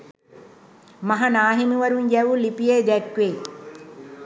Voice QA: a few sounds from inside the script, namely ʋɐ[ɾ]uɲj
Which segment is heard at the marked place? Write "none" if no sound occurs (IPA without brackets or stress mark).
ɾ